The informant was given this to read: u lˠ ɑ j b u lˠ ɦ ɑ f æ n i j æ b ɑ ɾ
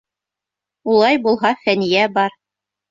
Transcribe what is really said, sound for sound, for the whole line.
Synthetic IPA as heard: u lˠ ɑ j b u lˠ ɦ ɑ f æ n i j æ b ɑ ɾ

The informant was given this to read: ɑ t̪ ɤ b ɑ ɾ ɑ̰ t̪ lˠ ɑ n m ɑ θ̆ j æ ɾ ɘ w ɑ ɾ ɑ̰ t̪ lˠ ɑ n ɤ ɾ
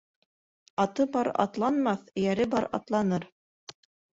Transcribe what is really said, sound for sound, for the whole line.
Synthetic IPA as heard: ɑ t̪ ɤ b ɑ ɾ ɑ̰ t̪ lˠ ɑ n m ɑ θ̆ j æ ɾ ɘ b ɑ ɾ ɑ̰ t̪ lˠ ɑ n ɤ ɾ

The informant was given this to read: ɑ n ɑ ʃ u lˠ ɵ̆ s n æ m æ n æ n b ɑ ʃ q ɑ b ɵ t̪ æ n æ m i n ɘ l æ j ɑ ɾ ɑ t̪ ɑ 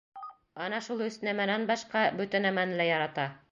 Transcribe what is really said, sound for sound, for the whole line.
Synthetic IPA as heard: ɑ n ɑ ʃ u lˠ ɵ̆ s n æ m æ n æ n b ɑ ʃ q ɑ b ɵ t̪ æ n æ m æ n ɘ l æ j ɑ ɾ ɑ t̪ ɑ

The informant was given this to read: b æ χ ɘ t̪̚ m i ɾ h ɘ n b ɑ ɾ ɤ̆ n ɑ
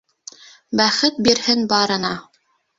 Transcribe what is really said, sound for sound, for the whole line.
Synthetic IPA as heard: b æ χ ɘ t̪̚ b i ɾ h ɘ n b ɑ ɾ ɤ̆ n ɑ

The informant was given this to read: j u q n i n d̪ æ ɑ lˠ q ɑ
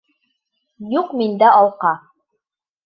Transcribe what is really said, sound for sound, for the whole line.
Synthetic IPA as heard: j u q m i n d̪ æ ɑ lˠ q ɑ

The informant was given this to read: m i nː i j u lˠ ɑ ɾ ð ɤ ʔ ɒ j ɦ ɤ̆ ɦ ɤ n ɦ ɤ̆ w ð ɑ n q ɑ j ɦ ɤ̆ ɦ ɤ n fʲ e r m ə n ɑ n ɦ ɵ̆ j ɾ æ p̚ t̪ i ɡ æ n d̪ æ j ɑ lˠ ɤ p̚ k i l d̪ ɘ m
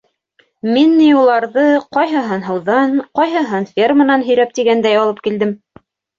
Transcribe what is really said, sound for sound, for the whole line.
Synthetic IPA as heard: m i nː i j u lˠ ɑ ɾ ð ɤ q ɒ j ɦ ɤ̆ ɦ ɤ n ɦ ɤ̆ w ð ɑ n q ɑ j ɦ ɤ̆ ɦ ɤ n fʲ e r m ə n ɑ n ɦ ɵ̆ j ɾ æ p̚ t̪ i ɡ æ n d̪ æ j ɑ lˠ ɤ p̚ k i l d̪ ɘ m

